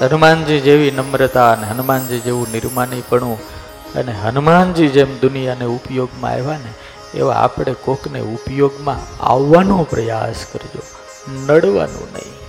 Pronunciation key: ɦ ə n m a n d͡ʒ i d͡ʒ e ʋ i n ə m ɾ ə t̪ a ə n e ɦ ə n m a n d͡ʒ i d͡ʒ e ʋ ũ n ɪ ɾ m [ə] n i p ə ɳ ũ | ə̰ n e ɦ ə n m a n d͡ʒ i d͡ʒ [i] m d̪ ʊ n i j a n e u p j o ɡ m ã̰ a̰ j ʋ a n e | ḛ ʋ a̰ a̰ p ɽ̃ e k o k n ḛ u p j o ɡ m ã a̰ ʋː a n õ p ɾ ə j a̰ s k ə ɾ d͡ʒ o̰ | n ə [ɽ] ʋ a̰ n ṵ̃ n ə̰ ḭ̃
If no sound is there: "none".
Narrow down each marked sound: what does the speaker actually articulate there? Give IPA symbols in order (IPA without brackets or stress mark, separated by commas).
a, e, ɽ